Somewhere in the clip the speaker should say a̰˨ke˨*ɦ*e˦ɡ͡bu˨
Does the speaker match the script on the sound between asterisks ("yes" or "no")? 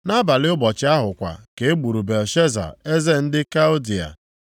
no